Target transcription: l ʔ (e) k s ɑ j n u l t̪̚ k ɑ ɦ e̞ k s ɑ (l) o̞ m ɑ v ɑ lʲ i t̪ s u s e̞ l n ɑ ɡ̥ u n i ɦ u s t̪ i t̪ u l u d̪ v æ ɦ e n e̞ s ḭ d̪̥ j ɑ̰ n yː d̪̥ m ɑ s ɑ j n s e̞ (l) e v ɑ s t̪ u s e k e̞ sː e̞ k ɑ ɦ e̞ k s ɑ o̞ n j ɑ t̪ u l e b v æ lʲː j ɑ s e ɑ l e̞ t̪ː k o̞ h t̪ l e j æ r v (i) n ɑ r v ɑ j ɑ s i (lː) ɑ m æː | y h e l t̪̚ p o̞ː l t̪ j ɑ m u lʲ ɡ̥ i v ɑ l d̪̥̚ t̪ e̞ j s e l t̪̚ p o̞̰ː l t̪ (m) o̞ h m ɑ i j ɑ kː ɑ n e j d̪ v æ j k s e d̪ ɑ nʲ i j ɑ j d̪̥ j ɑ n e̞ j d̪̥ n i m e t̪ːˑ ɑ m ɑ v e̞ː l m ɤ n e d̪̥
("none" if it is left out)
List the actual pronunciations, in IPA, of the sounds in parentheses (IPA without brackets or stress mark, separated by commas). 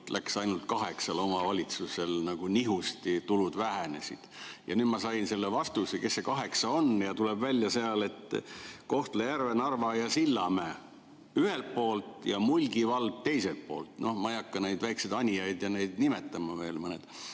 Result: æ, l, lː, e, lː, n